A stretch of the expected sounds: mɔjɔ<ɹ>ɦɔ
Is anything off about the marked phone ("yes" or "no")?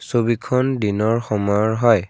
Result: no